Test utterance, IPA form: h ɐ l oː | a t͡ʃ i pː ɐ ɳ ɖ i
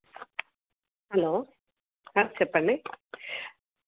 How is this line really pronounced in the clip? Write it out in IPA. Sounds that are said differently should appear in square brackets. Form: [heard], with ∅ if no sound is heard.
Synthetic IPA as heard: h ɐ l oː | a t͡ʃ [ɛ] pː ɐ ɳ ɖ i